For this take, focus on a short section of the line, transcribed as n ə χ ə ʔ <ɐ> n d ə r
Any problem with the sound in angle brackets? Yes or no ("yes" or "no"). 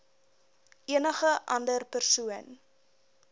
no